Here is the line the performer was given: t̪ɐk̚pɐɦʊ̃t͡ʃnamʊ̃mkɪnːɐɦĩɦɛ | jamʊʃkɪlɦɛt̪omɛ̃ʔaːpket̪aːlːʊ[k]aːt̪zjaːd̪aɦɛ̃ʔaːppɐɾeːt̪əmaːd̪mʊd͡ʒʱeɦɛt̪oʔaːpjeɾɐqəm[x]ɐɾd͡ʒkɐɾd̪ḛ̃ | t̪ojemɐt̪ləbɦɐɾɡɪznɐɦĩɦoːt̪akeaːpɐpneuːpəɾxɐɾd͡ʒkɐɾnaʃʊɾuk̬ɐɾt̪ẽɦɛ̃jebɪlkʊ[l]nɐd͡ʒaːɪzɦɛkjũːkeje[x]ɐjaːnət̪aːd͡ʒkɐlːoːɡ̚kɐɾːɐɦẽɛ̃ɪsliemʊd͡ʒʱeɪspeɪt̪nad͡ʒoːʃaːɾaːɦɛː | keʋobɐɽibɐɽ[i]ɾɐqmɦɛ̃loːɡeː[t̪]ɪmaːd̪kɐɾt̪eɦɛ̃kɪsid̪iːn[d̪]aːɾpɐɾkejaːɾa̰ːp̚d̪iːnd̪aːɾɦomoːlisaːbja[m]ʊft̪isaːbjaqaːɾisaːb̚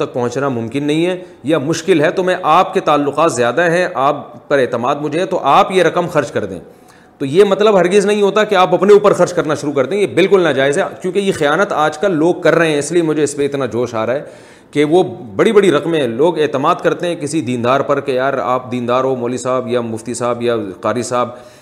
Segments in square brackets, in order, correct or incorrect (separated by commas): incorrect, correct, correct, correct, correct, correct, correct, correct